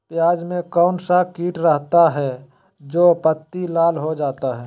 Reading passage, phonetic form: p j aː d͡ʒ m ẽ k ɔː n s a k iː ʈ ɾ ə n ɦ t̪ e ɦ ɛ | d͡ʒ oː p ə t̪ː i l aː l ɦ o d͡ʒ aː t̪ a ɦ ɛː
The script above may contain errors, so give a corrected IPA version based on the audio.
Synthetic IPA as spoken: p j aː d͡ʒ m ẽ k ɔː n s a k iː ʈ ɾ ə ɦ t̪ a ɦ ɛ | d͡ʒ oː p ə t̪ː i l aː l ɦ o d͡ʒ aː t̪ a ɦ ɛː

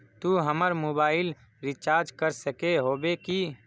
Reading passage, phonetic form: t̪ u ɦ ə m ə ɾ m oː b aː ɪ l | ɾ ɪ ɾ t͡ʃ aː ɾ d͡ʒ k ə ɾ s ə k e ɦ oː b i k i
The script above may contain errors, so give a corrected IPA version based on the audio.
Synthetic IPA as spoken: t̪ u ɦ ə m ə ɾ m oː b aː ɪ l | ɾ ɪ t͡ʃ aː ɾ d͡ʒ k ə ɾ s ə k e ɦ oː b e k i

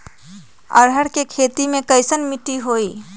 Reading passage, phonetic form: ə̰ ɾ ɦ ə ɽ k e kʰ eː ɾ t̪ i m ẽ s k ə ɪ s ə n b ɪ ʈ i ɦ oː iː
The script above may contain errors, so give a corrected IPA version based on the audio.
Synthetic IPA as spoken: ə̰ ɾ ɦ ə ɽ k e kʰ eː t̪ i m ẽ k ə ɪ s ə n m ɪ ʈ i ɦ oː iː

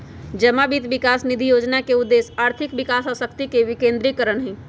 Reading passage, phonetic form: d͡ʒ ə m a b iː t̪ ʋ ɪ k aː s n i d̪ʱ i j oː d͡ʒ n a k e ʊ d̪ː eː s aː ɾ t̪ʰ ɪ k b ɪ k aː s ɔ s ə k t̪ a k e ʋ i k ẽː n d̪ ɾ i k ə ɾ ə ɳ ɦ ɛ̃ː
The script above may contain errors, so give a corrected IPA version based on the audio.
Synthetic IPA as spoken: d͡ʒ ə m a b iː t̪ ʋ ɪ k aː s n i d̪ʱ i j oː d͡ʒ n a k e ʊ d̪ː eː s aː ɾ t̪ʰ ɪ k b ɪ k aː s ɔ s ə k t̪ i k e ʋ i k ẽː n d̪ ɾ i k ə ɾ ə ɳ ɦ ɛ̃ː

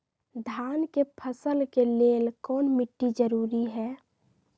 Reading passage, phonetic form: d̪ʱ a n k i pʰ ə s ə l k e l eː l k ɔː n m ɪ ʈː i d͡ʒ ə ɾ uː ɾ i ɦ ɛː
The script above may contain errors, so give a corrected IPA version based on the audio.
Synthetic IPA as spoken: d̪ʱ a n k e pʰ ə s ə l k e l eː l k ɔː n m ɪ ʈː i d͡ʒ ə ɾ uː ɾ i ɦ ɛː

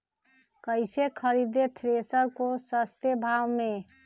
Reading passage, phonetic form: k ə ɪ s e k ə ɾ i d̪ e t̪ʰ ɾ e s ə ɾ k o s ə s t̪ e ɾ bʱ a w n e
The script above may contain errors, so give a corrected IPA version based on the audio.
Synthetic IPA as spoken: k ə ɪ s e kʰ ə ɾ i d̪ e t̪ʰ ɾ e s ə ɾ k o s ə s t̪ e bʱ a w m e

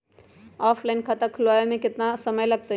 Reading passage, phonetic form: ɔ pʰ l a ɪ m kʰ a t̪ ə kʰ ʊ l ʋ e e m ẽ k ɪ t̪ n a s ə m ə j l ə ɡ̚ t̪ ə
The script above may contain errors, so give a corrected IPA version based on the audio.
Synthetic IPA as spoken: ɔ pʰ l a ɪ n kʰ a t̪ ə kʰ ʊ l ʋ a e m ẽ k ɪ t̪ n a s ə m ə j l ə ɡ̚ t̪ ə

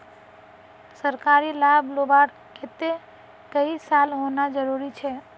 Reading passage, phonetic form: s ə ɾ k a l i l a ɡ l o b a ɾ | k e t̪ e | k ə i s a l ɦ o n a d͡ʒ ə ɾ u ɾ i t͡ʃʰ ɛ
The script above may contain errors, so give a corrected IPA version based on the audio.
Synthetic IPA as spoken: s ə ɾ k a ɾ i l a b l o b a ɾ | k e t̪ e | k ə i s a l ɦ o n a d͡ʒ ə ɾ u ɾ i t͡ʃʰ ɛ

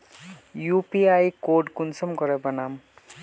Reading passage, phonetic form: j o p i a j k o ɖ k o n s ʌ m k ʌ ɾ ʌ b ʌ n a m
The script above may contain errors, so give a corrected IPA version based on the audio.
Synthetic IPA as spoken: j u p i a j k o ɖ k u n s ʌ m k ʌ ɾ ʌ b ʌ n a m

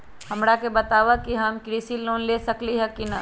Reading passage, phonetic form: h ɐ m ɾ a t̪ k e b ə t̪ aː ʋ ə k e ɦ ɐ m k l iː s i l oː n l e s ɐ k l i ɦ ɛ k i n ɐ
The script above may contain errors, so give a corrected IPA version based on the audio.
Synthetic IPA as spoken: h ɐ m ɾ a k e b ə t̪ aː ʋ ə k i ɦ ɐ m k ɾ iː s i l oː n l e s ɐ k l i ɦ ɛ k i n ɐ

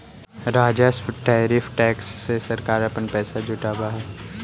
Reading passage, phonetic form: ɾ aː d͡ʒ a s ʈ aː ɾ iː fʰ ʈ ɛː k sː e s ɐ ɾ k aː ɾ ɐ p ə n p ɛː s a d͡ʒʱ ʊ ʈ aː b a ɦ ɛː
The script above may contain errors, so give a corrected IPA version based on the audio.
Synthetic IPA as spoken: ɾ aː d͡ʒ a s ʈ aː ɾ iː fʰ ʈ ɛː k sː e s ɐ ɾ k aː ɾ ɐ p ə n p ɛː s a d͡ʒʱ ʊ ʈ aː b a ɦ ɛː

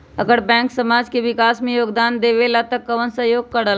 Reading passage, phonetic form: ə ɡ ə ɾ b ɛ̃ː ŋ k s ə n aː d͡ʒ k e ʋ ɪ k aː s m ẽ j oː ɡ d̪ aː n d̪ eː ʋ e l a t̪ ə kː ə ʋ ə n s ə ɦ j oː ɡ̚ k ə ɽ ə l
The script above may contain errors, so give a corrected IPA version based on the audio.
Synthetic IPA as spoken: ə ɡ ə ɾ b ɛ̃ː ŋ k s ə m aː d͡ʒ k e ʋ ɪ k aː s m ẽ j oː ɡ d̪ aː n d̪ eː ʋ e l a t̪ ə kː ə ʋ ə n s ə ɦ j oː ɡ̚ k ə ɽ ə l

